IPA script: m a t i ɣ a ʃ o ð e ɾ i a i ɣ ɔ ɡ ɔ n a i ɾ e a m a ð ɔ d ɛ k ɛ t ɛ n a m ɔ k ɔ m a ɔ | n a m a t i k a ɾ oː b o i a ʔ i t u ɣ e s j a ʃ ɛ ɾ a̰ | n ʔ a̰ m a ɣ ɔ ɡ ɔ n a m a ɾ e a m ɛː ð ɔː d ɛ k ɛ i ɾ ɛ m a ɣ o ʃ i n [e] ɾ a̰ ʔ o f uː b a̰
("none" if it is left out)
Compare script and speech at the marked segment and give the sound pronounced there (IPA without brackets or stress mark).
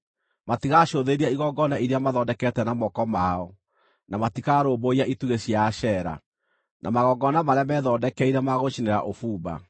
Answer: e